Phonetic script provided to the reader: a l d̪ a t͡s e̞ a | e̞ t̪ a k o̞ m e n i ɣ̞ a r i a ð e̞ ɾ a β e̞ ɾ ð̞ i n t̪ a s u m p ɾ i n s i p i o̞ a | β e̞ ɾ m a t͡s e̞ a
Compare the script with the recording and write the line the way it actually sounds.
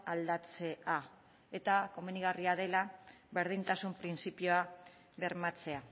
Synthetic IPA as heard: a l d̪ a t͡s e̞ a | e̞ t̪ a k o̞ m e n i ɣ̞ a r i a ð e̞ l a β e̞ ɾ ð̞ i n t̪ a s u m p ɾ i n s i p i o̞ a | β e̞ ɾ m a t͡s e̞ a